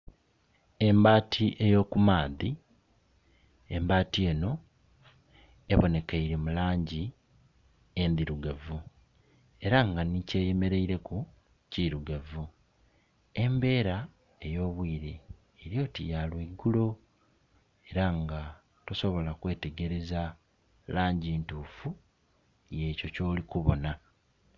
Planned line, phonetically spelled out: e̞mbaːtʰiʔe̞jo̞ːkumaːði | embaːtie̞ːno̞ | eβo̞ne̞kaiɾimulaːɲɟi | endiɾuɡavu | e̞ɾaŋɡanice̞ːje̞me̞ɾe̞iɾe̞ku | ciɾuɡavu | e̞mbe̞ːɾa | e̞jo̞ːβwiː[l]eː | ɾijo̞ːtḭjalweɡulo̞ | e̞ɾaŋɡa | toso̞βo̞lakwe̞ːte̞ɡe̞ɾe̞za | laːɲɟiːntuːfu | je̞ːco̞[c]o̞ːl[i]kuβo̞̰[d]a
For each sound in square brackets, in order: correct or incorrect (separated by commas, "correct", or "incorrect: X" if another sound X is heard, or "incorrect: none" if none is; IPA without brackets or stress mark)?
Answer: incorrect: ɾ, correct, correct, incorrect: n